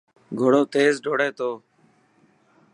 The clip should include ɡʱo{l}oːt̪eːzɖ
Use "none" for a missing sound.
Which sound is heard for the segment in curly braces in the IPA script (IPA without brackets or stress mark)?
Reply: ɽ